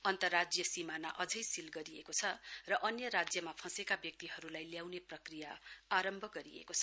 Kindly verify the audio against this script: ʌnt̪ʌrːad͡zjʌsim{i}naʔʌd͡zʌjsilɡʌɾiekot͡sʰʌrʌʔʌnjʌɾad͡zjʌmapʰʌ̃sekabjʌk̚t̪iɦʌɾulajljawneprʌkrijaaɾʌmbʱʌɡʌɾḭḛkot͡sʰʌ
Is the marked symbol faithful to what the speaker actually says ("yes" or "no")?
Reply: no